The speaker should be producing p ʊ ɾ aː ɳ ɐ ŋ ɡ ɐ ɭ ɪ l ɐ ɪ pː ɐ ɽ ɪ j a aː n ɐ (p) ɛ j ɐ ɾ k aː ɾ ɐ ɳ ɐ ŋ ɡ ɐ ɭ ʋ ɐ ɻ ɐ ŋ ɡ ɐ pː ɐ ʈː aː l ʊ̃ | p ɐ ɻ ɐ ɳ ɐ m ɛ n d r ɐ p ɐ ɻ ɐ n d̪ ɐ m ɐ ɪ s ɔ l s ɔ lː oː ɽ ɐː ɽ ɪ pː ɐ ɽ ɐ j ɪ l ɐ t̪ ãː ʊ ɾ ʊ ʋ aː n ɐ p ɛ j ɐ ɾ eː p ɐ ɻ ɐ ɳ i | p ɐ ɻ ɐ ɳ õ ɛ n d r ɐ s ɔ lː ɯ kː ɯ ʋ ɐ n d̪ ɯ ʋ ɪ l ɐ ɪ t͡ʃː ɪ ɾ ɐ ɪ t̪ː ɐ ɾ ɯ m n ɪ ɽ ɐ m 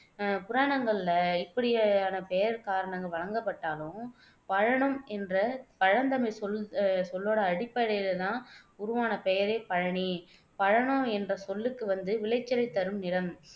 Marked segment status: correct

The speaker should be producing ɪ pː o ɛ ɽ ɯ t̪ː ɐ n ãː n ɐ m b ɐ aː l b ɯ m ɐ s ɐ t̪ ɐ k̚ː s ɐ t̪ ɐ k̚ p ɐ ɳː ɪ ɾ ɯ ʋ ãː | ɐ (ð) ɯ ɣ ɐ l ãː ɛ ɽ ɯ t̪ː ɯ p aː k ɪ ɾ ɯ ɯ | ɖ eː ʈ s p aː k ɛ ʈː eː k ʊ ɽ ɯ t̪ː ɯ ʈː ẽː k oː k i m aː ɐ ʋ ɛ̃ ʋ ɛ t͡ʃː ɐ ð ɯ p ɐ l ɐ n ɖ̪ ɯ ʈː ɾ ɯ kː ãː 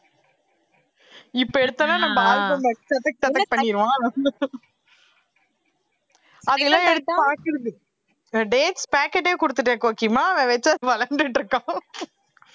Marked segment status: correct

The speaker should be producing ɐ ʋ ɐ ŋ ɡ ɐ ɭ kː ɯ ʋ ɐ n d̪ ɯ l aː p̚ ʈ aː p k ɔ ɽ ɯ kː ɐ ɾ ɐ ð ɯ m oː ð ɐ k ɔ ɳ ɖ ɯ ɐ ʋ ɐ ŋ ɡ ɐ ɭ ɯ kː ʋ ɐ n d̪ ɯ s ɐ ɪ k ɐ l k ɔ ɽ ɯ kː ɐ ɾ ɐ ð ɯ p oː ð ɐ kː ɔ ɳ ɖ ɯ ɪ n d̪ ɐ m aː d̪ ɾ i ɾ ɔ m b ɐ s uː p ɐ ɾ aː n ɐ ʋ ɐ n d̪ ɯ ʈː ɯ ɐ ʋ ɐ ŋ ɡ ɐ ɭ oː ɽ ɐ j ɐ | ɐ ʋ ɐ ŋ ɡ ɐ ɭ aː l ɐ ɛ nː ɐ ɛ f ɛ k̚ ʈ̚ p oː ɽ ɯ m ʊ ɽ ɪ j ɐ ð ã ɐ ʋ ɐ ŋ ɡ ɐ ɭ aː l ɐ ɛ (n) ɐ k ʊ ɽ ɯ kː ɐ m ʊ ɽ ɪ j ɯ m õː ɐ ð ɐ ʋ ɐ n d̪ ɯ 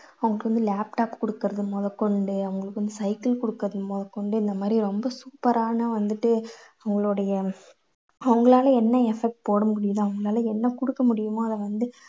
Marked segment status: incorrect: nː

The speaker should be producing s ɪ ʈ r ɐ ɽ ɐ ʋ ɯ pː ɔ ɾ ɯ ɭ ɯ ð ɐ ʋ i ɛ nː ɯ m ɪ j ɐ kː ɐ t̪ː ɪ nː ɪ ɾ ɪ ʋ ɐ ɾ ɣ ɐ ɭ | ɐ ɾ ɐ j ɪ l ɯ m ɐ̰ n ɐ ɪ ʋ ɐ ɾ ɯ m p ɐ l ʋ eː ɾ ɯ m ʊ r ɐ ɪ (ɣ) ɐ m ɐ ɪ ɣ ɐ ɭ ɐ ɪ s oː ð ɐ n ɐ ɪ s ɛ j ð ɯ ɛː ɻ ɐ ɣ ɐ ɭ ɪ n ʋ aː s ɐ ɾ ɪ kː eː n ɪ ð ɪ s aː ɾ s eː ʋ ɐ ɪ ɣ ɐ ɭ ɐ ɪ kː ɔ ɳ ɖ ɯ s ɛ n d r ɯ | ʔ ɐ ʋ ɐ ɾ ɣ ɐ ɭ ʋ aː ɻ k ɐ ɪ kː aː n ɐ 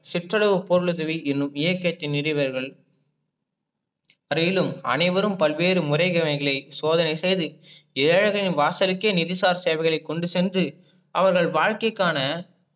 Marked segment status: correct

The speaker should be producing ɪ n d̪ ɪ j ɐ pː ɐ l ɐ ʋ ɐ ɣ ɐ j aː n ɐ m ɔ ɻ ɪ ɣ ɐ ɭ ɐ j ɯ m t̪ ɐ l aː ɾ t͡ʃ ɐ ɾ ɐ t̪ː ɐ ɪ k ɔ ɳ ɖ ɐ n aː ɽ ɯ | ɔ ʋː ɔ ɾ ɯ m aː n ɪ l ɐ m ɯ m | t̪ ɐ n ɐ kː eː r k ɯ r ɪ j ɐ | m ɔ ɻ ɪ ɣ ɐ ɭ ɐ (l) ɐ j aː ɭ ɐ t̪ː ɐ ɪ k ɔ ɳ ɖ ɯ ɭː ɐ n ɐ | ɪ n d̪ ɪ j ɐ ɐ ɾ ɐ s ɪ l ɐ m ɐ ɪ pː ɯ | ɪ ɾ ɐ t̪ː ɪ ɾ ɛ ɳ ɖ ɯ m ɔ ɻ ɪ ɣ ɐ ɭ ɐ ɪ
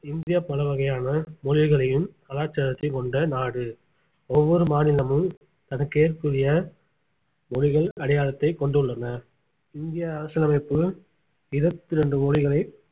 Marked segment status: incorrect: ɽ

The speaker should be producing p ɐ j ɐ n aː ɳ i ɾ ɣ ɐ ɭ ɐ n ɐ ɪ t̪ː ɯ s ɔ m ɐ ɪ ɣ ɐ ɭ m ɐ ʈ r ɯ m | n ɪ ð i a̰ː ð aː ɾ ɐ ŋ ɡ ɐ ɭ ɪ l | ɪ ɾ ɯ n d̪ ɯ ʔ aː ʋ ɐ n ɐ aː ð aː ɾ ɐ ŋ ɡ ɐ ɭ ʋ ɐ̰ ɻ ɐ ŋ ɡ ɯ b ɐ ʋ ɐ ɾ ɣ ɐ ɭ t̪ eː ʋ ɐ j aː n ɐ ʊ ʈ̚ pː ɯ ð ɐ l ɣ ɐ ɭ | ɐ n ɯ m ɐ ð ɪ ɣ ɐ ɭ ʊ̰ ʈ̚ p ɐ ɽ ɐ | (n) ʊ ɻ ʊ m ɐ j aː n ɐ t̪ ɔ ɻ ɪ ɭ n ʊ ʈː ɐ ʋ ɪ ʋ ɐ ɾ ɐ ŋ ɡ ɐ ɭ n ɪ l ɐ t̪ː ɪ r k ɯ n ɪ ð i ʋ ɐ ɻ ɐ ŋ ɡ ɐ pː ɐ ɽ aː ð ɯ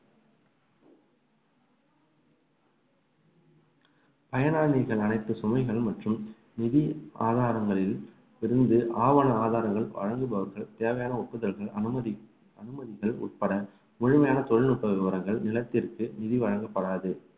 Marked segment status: incorrect: m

